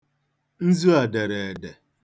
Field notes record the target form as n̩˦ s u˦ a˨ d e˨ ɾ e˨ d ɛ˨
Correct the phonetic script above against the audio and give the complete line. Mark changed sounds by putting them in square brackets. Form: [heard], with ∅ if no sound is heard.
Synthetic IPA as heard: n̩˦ [z] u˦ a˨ d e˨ ɾ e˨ d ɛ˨